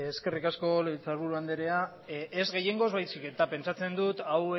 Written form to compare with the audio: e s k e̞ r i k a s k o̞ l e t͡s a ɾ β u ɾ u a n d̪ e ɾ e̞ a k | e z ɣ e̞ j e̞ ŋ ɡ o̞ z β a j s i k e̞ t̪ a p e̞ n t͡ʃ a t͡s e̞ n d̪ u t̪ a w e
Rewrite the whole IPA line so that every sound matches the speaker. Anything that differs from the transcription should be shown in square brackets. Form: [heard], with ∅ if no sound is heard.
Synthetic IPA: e s k e̞ r i k a s k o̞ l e t͡s a ɾ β u ɾ u a n d̪ e ɾ e̞ a [∅] | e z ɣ e̞ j e̞ ŋ ɡ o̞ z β a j s i k e̞ t̪ a p e̞ n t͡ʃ a t͡s e̞ n d̪ u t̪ a w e